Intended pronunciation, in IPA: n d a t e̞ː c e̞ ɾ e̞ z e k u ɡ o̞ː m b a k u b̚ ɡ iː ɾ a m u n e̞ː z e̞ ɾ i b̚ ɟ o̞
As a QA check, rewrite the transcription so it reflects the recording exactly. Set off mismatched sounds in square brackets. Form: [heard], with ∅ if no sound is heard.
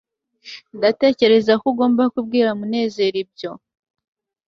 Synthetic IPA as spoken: n d a t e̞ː c e̞ ɾ e̞ z [a] k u ɡ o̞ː m b a k u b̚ ɡ iː ɾ a m u n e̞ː z e̞ ɾ i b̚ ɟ o̞

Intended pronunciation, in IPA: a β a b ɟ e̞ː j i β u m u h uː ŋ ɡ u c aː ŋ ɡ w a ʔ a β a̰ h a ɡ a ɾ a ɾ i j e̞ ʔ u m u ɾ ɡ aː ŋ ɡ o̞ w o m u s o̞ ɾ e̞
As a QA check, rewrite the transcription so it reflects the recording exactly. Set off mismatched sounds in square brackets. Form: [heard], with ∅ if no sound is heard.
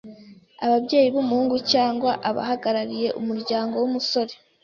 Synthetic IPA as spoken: a β a b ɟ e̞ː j i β u m u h uː ŋ ɡ u c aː ŋ ɡ w a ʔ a β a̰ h a ɡ a ɾ a ɾ i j e̞ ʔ u m u ɾ [ɟ] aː ŋ ɡ o̞ w [u] m u s o̞ ɾ e̞

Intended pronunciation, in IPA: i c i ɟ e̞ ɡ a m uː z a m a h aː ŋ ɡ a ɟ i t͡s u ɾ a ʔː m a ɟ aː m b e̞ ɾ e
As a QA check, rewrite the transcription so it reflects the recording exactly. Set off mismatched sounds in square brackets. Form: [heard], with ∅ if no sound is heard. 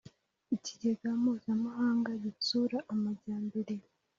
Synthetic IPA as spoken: i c i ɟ e̞ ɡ a m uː z a m a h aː ŋ ɡ a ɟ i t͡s u ɾ a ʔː m a ɟ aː m b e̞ ɾ e

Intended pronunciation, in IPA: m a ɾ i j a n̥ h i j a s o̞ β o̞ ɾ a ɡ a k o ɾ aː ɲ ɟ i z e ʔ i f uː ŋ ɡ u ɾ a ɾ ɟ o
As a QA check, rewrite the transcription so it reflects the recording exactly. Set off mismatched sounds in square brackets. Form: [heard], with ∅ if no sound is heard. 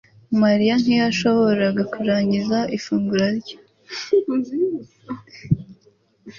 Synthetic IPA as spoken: m a ɾ i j a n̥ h i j a [ʃ] o̞ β o̞ ɾ a ɡ a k [u] ɾ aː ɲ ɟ i z [a] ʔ i f uː ŋ ɡ u ɾ a ɾ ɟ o

